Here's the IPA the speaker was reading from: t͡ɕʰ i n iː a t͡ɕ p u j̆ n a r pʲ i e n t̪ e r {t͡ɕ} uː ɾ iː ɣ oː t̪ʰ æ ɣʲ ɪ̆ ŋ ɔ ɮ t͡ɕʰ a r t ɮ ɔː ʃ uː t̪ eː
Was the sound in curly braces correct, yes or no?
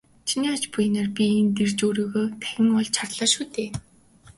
yes